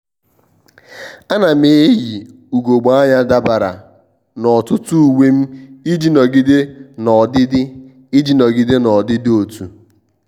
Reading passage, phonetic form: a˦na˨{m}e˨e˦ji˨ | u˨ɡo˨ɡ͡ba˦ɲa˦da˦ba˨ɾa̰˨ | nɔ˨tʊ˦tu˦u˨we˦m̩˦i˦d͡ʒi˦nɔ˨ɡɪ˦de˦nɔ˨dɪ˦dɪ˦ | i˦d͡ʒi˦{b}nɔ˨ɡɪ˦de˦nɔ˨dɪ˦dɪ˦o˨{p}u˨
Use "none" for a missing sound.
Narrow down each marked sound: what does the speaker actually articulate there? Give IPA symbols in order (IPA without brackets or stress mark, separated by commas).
m, none, t